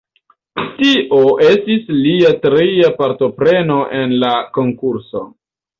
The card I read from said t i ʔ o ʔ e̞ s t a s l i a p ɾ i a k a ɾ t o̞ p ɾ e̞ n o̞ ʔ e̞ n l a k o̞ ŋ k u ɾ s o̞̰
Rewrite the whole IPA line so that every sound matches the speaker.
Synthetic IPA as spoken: t i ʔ o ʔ e̞ s t i s l i a t ɾ i a p a ɾ t o̞ p ɾ e̞ n o̞ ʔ e̞ n l a k o̞ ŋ k u ɾ s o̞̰